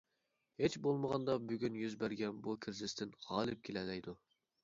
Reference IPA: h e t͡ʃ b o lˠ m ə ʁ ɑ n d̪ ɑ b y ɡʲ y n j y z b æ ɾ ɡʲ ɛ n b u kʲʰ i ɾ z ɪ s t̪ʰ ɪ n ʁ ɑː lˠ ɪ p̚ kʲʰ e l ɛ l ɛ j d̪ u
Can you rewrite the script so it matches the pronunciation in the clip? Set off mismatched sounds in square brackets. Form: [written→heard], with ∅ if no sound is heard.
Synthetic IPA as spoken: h e t͡ʃ b o lˠ m ə ʁ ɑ n d̪ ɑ b y ɡʲ y n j y z b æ ɾ ɡʲ ɛ n b u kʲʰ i ɾ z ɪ s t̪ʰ ɪ n ʁ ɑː lˠ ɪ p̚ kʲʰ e l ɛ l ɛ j d̪ u